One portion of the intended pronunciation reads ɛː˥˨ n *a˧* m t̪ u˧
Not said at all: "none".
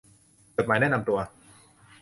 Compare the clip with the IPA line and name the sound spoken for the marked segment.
a˧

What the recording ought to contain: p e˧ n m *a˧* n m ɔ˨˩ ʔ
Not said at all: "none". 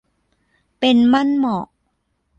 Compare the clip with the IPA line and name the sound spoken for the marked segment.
a˥˩˨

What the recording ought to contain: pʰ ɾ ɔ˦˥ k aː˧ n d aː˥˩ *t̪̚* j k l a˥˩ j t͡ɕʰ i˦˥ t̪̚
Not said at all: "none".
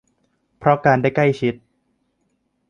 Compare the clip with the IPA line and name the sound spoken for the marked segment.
none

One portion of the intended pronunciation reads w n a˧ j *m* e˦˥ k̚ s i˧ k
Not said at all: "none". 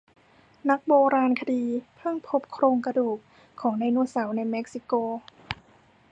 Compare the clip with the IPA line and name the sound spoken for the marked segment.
m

